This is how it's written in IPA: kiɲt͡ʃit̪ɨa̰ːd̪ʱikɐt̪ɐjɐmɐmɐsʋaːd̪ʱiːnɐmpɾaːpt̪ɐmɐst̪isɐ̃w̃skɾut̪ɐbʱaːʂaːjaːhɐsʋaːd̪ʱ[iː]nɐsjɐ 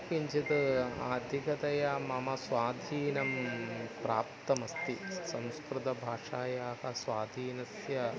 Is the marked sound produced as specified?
yes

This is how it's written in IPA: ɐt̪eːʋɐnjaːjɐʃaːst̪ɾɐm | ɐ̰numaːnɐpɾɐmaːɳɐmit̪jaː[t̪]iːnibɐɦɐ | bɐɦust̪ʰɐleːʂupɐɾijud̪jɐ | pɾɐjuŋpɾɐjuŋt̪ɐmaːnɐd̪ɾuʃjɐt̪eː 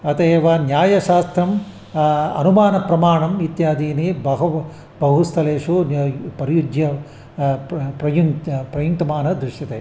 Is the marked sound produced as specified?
no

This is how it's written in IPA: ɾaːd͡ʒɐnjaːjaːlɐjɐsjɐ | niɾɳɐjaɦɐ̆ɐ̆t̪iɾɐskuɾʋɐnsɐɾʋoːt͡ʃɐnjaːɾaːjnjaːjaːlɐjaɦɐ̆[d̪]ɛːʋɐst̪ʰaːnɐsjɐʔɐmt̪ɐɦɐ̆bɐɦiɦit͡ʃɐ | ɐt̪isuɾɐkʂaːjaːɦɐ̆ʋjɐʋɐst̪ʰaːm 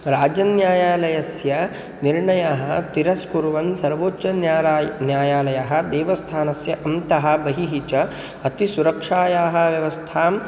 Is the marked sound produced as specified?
yes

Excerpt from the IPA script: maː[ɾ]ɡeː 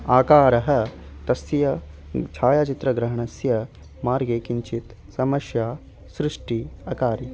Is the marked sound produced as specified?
yes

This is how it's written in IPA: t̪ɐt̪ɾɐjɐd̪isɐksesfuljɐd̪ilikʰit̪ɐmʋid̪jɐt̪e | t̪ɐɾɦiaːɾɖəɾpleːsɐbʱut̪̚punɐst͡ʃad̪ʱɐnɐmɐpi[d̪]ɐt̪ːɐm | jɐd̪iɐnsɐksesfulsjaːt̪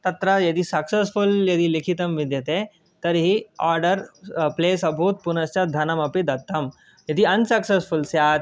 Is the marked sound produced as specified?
yes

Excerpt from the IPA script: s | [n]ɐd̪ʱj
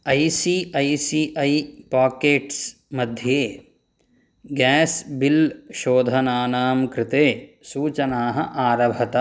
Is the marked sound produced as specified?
no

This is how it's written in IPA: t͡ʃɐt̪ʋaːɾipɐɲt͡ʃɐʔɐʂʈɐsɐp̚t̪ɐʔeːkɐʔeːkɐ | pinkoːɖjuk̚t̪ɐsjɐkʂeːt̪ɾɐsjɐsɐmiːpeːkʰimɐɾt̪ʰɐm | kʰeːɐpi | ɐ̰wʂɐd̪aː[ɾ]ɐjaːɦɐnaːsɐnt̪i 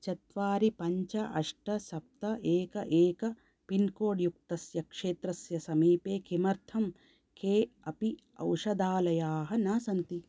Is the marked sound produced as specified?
no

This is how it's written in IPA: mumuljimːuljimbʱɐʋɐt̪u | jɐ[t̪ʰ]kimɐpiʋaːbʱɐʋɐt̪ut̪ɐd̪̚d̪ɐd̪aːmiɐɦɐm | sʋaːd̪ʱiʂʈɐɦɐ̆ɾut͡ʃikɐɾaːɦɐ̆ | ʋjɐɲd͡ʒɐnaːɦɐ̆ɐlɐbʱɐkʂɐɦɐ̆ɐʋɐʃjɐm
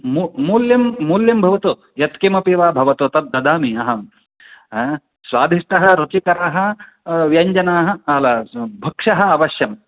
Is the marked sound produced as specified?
no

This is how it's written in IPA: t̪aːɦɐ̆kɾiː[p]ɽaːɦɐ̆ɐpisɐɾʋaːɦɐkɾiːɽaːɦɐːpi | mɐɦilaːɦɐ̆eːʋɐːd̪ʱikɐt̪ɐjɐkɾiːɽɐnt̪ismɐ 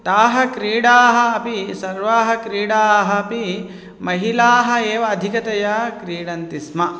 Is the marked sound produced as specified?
no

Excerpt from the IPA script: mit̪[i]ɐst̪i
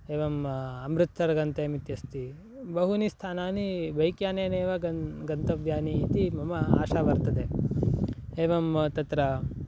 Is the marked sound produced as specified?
no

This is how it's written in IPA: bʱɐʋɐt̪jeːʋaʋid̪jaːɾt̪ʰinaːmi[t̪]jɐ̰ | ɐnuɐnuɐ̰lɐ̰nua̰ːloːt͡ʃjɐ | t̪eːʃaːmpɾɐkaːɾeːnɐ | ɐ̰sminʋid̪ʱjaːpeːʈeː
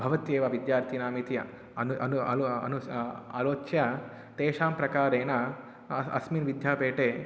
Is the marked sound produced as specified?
yes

